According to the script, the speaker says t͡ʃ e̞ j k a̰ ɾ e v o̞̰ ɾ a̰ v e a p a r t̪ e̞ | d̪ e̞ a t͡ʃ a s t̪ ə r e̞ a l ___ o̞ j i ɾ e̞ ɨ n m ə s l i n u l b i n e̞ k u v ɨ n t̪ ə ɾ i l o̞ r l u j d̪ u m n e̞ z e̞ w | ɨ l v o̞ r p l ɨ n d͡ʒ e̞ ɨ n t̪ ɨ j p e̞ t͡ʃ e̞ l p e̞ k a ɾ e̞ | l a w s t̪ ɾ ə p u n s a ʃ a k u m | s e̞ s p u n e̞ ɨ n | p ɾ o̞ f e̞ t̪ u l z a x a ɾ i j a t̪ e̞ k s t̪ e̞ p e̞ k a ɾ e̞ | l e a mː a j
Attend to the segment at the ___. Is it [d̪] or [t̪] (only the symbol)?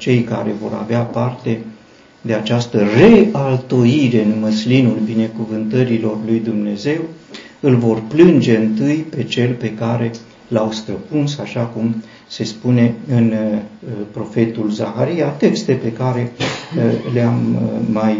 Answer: t̪